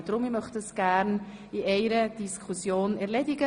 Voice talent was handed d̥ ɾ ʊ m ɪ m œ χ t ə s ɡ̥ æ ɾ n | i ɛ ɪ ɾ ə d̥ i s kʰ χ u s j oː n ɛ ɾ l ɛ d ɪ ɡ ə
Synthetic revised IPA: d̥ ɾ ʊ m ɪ m œ χ t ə s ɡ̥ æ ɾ n | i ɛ ɪ ɾ ə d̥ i s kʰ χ u s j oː n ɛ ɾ l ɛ d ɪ ɡ ə